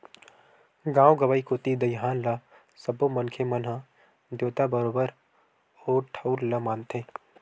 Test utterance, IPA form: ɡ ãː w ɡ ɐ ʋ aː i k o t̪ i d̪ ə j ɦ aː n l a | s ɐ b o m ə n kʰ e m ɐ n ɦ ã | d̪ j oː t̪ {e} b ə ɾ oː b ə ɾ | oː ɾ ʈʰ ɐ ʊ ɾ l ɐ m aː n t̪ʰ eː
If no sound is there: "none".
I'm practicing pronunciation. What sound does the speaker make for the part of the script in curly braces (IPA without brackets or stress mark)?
a